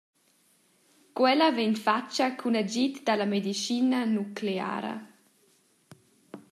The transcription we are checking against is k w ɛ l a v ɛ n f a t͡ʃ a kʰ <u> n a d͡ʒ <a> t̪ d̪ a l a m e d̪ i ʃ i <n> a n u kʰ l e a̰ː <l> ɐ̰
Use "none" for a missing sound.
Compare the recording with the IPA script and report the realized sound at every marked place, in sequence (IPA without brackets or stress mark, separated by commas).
u, i, n, ɾ